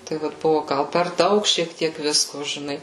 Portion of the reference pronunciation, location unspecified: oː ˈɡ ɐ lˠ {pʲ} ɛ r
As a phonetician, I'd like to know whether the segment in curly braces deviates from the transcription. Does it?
no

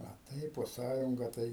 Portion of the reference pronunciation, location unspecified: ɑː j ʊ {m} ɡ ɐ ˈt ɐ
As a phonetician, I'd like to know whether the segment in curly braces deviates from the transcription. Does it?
yes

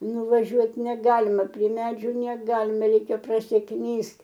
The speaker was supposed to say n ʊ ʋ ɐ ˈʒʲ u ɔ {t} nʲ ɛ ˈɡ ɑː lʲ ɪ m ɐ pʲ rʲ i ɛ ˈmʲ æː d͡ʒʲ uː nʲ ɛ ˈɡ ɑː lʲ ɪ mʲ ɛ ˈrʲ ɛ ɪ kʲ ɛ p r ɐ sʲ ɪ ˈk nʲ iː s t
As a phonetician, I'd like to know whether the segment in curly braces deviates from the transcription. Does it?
no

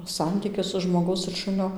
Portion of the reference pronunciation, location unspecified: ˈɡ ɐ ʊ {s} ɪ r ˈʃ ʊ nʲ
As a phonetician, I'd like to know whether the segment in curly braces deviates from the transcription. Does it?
no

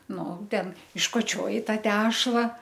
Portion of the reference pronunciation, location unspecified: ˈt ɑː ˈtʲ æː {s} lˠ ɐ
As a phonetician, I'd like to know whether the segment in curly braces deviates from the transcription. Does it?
yes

